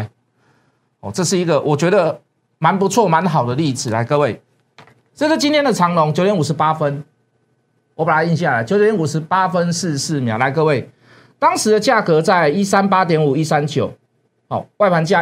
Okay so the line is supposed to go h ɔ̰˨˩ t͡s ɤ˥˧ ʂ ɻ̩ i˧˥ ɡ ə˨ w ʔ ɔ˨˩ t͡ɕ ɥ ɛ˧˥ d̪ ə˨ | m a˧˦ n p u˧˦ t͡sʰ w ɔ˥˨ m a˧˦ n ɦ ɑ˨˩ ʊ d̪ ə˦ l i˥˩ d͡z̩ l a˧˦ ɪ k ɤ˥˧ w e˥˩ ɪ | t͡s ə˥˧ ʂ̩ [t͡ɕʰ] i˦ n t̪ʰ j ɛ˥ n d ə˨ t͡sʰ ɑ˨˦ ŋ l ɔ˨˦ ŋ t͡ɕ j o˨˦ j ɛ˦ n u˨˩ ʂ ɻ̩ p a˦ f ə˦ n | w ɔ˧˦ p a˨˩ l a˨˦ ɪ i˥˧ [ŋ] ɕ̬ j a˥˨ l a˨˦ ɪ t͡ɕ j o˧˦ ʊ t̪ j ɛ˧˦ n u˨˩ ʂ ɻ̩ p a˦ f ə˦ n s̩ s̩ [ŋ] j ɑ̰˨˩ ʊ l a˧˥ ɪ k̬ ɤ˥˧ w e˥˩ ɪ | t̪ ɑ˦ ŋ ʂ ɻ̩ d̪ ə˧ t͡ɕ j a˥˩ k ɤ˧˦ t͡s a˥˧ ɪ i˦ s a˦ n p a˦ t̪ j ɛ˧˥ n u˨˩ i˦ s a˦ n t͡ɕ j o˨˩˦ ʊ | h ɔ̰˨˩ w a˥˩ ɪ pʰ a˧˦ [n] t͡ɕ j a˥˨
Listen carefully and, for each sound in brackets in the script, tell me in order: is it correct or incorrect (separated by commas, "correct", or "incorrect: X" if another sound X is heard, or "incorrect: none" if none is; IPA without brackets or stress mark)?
incorrect: t͡ɕ, incorrect: n, incorrect: m, correct